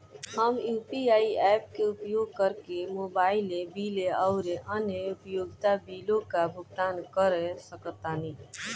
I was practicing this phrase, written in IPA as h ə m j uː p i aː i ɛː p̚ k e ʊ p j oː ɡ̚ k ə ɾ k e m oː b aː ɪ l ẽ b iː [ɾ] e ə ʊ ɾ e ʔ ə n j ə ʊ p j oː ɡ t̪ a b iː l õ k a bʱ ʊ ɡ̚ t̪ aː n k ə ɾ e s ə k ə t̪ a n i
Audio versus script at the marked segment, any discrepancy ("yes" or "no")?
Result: yes